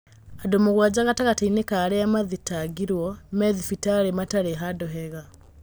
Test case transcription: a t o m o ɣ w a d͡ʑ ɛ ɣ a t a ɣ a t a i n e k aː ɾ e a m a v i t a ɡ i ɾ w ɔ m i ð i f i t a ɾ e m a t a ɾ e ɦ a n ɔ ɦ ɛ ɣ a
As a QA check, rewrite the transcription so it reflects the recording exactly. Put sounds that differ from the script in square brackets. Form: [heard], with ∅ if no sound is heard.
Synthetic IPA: a [d] o m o ɣ w a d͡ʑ [a] ɣ a t a ɣ a t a i n e k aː ɾ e a m a [ð] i t a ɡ i ɾ w ɔ m [ɛ] ð i f i t a ɾ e m a t a ɾ e ɦ a [d] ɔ ɦ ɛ ɣ a